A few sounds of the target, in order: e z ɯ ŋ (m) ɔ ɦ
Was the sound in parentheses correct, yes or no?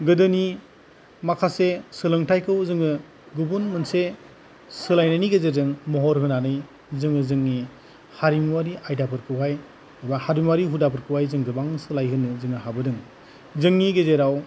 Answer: yes